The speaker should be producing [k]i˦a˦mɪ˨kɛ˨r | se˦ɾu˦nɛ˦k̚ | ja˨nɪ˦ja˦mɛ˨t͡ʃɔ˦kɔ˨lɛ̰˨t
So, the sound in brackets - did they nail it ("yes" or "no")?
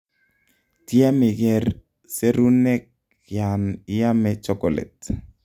no